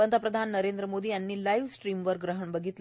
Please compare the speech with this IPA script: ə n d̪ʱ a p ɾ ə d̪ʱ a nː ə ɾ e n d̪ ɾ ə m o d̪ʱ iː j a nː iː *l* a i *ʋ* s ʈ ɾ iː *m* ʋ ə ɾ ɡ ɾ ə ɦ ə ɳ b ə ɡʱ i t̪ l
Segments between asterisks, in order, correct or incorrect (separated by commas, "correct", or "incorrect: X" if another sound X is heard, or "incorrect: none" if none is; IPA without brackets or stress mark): correct, correct, correct